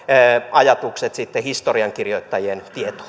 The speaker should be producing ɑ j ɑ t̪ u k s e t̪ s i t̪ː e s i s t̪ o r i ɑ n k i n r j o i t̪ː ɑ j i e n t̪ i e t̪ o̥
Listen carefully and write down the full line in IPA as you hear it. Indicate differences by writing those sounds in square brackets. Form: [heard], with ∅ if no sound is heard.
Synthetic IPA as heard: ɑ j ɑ t̪ u k s e t̪ s i t̪ː e [h] i s t̪ o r i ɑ [ŋ] k i [∅] r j o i t̪ː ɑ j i e n t̪ i e t̪ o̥